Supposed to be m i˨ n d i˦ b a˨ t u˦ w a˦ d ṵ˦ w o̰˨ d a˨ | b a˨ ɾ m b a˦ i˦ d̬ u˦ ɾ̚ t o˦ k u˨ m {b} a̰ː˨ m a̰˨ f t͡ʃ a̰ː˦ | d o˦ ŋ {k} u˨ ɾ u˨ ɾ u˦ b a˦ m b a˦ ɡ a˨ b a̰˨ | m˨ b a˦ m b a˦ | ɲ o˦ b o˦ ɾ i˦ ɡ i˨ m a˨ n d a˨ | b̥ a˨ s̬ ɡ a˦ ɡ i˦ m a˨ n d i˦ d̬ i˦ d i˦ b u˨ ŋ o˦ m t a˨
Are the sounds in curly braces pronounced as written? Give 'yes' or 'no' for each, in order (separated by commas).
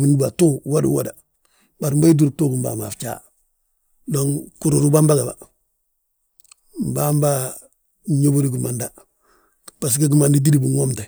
yes, yes